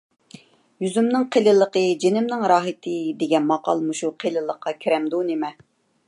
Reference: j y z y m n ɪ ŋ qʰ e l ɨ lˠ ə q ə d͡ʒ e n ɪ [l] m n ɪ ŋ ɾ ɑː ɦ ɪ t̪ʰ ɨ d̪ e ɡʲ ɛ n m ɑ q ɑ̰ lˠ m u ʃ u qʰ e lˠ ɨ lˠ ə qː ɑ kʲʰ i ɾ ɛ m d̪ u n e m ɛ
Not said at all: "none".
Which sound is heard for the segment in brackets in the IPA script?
none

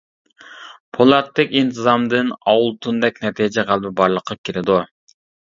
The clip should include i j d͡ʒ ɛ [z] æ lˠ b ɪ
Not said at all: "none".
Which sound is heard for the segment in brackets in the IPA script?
ʁ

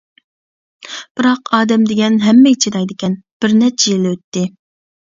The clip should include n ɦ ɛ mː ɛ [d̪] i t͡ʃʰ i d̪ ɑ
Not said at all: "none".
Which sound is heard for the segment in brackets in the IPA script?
none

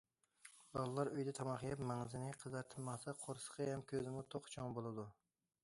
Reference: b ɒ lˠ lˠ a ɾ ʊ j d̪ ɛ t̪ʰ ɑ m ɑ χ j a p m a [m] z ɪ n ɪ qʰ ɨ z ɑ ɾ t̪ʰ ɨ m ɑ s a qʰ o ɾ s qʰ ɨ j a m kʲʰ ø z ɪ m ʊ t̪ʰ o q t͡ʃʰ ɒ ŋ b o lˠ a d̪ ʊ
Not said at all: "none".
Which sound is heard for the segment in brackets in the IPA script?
ŋ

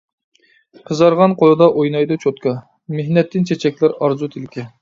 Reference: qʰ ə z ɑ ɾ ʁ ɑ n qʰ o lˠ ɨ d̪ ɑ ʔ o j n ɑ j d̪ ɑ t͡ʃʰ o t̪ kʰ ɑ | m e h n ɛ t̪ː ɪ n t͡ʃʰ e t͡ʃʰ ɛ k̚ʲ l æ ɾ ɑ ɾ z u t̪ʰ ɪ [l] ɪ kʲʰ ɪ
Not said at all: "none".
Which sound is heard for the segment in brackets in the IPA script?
l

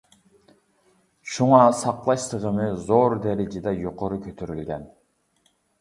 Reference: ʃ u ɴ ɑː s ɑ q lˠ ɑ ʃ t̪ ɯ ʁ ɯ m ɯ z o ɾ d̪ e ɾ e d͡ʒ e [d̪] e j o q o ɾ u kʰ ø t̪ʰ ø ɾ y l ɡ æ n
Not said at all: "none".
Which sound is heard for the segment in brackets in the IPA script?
d̪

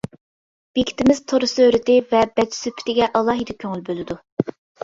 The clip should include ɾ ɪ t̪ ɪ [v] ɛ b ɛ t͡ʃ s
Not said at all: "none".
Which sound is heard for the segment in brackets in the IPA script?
v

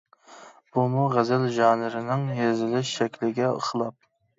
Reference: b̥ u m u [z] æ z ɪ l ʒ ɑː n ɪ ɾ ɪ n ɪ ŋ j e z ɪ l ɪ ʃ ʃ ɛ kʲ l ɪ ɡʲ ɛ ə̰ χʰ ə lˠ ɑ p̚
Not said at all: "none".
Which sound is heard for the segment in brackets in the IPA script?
ʁ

